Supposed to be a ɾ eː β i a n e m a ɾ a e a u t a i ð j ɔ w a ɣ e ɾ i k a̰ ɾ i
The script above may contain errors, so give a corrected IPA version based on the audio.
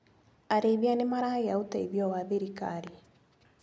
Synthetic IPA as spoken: a ɾ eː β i a n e m a ɾ a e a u t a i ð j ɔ w a ð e ɾ i k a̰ ɾ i